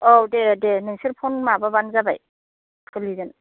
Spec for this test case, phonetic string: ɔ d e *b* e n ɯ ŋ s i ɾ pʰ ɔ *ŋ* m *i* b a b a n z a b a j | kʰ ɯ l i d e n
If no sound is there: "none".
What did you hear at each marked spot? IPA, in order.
d, n, a

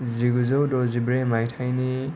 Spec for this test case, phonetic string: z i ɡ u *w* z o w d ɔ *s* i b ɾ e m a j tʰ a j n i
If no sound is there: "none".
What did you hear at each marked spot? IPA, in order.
none, z

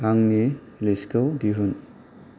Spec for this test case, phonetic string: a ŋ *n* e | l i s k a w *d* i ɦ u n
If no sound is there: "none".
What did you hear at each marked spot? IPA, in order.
n, d

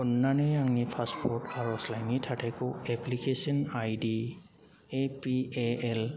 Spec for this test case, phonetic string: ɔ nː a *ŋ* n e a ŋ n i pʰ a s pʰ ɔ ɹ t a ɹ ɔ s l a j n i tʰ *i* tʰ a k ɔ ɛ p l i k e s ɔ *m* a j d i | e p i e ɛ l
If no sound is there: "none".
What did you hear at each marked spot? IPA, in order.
none, a, n

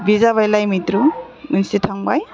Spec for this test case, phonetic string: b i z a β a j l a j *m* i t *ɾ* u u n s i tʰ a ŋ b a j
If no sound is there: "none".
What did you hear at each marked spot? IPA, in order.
m, ɾ

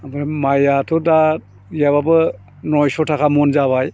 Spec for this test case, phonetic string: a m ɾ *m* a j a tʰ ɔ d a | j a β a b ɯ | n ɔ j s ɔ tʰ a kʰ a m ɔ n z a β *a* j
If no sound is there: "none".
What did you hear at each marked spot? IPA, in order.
m, a

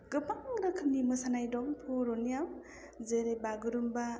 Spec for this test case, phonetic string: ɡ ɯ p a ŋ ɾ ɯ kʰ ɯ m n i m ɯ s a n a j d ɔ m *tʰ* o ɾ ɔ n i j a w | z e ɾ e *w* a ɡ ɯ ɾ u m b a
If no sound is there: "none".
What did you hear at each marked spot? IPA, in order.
pʰ, b

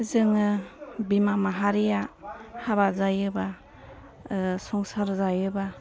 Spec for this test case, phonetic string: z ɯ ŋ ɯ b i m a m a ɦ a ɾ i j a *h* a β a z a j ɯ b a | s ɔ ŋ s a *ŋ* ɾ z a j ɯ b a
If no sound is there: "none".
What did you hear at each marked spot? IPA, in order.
h, none

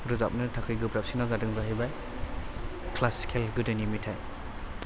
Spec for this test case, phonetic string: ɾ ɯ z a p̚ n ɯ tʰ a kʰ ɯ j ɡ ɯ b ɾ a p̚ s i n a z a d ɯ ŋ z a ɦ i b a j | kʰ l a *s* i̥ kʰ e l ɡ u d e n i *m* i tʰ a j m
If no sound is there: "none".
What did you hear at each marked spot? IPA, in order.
s, m

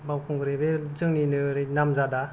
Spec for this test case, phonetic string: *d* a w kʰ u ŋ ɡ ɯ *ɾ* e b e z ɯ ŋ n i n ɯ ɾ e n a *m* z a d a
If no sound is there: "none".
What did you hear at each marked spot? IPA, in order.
b, ɾ, m

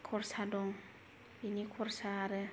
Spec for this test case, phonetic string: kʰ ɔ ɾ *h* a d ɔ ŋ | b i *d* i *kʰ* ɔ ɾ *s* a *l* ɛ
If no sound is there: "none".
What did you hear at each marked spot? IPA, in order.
s, n, kʰ, s, ɾ

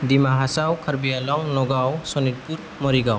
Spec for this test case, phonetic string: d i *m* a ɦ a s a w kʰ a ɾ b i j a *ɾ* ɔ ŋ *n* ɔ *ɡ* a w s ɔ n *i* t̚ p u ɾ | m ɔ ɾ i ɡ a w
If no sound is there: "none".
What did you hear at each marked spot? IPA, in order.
m, l, n, ɡ, i

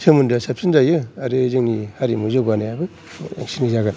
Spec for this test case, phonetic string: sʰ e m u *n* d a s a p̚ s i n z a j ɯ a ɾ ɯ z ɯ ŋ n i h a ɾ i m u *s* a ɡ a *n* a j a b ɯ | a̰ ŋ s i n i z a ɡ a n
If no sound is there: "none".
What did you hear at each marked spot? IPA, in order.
n, z, n

